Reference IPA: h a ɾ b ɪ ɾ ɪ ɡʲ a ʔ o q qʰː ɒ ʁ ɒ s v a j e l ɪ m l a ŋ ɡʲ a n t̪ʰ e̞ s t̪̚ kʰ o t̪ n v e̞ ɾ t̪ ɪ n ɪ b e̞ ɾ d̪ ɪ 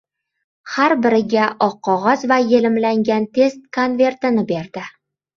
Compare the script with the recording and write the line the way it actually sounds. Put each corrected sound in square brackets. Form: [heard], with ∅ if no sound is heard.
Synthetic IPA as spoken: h a ɾ b ɪ ɾ ɪ ɡʲ a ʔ [ɒ] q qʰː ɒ ʁ ɒ [z] v a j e l ɪ m l a ŋ ɡʲ a n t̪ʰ e̞ s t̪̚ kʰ o [∅] n v e̞ ɾ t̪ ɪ n ɪ b e̞ ɾ d̪ ɪ